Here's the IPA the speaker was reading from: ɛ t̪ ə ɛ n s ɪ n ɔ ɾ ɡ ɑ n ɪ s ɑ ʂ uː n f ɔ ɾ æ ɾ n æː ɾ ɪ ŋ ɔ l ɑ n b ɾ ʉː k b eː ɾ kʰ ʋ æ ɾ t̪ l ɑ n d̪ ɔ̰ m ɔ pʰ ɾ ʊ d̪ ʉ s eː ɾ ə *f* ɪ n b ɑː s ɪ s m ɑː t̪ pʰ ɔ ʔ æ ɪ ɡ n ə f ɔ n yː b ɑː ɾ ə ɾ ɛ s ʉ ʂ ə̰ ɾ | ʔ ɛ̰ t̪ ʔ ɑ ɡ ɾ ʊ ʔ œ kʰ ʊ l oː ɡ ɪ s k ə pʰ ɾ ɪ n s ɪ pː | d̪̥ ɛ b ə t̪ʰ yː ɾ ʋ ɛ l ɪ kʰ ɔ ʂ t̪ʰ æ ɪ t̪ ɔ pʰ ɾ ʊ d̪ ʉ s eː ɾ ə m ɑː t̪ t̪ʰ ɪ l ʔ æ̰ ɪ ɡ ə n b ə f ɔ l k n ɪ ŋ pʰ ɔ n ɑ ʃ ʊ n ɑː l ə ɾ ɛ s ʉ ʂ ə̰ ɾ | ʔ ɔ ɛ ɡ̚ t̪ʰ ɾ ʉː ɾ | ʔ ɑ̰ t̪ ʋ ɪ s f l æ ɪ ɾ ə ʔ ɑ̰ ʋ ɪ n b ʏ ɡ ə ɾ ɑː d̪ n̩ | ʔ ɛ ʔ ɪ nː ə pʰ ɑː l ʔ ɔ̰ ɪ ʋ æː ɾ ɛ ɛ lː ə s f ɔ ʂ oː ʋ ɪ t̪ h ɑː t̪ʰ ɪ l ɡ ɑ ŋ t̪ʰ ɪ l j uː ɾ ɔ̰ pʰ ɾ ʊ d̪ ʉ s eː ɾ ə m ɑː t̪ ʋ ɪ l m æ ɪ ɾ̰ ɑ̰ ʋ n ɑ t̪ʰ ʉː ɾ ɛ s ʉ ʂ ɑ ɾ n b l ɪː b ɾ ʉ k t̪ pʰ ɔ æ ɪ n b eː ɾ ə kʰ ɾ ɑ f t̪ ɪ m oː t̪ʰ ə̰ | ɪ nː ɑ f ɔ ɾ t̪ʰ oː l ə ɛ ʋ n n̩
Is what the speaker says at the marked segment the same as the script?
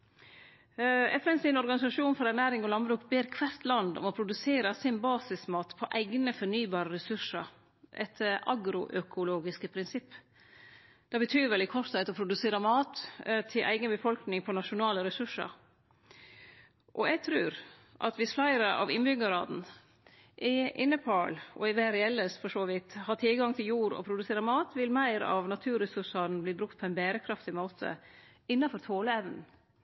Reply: no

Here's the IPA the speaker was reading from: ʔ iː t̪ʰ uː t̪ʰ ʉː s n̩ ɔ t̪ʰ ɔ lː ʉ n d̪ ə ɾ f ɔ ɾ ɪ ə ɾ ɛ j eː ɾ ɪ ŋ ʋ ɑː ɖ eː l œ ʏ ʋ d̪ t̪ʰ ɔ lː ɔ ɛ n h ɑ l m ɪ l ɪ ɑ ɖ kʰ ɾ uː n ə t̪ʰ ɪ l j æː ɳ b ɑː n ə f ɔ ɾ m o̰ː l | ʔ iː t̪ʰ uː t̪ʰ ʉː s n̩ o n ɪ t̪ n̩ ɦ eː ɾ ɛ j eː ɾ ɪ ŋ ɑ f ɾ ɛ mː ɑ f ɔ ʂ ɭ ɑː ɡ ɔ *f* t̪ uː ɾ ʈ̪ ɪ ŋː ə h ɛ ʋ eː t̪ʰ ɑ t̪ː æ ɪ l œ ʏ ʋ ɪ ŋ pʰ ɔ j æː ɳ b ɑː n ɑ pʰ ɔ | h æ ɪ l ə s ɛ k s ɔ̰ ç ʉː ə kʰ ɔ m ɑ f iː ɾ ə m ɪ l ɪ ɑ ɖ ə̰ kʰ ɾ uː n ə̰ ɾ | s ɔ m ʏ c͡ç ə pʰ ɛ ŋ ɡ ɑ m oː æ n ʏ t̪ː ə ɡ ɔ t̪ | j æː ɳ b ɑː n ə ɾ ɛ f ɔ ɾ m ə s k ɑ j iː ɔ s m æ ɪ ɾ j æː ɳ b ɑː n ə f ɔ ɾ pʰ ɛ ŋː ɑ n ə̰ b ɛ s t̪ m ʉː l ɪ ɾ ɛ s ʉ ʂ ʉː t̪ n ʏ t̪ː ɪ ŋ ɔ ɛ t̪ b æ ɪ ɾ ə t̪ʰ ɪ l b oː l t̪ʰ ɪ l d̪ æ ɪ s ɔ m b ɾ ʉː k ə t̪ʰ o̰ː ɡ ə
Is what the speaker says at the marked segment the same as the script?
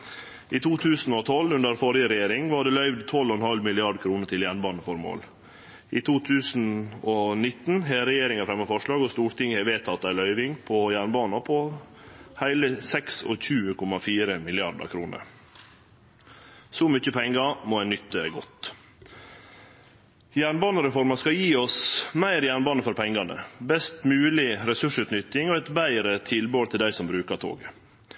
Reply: no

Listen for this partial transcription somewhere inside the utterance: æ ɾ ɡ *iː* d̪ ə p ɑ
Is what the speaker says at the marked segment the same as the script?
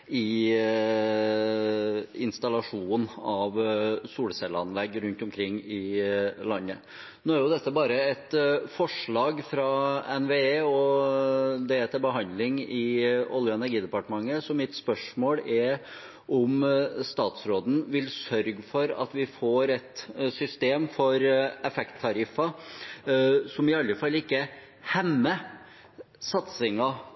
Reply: yes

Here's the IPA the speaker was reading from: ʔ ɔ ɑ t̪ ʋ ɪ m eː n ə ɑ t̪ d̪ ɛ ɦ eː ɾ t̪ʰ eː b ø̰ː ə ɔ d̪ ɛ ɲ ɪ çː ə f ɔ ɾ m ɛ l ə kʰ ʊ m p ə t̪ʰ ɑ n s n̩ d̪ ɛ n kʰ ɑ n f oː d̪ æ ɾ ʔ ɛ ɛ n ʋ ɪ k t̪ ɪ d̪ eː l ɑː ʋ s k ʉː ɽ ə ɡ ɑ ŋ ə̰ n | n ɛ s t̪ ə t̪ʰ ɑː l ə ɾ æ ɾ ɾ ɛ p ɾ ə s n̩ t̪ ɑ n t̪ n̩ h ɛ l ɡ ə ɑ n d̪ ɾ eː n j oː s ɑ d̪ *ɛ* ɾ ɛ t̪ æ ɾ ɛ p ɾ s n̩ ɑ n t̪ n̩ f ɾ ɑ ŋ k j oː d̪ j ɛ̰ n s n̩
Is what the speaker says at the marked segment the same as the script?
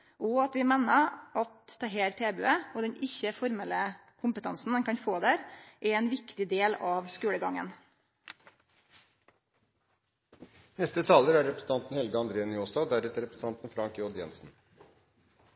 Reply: no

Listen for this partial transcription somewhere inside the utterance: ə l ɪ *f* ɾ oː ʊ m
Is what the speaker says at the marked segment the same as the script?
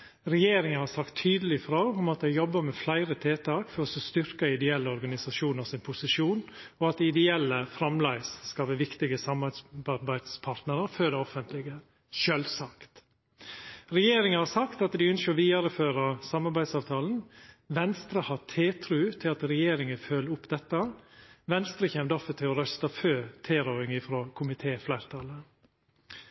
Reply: yes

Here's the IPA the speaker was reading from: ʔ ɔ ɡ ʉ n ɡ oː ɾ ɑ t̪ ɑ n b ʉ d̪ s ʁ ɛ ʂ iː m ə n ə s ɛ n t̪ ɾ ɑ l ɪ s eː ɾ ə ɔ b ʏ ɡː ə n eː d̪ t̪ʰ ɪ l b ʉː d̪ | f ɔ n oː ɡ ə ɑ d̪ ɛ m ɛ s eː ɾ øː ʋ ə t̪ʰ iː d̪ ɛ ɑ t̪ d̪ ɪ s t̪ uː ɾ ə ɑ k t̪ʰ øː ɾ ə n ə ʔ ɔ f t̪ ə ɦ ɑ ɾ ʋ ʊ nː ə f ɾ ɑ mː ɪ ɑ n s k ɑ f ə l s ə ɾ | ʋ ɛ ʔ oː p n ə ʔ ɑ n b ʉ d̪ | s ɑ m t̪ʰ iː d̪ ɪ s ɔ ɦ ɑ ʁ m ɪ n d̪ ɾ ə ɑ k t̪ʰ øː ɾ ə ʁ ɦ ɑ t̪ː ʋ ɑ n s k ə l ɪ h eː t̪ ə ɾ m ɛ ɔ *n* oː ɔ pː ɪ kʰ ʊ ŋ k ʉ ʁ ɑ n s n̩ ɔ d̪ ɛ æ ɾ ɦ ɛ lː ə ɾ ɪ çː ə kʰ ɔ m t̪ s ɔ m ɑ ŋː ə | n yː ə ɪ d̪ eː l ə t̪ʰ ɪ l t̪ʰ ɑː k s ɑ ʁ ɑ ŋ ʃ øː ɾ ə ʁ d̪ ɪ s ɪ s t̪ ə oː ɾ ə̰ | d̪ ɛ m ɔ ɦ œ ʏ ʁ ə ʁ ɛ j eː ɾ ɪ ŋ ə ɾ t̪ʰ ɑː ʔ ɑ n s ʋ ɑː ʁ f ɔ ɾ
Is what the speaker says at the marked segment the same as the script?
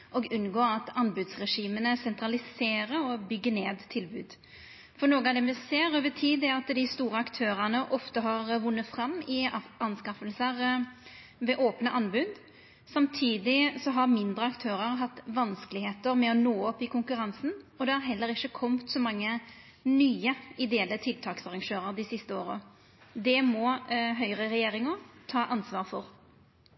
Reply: yes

